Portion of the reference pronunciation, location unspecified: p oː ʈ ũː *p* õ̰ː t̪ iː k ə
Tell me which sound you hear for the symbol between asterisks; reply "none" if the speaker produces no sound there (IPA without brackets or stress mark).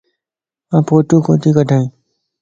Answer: k